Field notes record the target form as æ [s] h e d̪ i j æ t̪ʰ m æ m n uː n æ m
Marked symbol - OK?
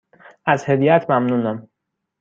no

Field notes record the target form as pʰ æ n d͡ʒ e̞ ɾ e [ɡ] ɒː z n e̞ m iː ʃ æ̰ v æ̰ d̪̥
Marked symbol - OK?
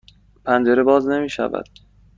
no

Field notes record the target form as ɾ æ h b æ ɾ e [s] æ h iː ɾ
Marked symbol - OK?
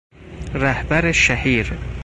no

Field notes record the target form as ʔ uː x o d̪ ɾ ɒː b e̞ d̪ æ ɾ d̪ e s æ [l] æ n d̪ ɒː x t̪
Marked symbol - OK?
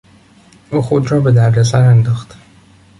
no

